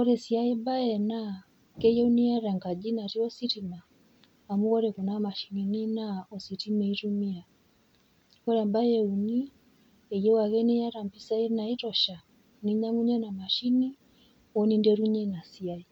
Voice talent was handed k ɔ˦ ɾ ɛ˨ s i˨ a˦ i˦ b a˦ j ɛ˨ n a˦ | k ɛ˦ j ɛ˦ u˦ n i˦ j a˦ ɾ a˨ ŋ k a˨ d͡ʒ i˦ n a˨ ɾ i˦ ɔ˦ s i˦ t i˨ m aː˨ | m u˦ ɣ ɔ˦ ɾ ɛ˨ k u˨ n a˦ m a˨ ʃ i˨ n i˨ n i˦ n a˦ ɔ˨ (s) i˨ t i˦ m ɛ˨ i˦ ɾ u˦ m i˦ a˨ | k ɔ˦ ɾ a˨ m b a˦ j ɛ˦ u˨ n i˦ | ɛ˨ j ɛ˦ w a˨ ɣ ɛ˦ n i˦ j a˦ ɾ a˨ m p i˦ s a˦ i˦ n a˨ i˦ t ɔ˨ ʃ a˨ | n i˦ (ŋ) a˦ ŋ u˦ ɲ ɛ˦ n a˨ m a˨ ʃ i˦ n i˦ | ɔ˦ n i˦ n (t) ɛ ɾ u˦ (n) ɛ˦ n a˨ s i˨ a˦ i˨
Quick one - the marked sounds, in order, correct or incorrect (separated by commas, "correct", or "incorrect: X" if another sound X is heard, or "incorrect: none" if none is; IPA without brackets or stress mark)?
correct, incorrect: ɲ, incorrect: d, incorrect: ɲ